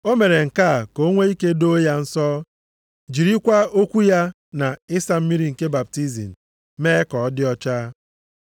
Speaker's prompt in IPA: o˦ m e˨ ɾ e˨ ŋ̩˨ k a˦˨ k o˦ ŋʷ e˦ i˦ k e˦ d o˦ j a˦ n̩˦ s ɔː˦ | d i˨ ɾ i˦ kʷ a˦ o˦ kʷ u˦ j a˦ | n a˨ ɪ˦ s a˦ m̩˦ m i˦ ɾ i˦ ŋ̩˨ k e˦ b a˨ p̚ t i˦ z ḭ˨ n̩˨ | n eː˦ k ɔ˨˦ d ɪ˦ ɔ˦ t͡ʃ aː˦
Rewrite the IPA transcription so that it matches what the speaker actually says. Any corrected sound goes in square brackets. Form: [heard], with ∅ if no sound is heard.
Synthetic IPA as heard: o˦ m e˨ ɾ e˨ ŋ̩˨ k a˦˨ k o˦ ŋʷ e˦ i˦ k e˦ d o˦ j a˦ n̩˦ s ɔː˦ | [d͡ʒ] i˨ ɾ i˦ kʷ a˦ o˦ kʷ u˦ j a˦ | n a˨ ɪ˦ s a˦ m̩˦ m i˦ ɾ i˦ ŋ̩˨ k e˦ b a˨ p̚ t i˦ z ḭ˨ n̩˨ | [m] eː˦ k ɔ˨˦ d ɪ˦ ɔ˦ t͡ʃ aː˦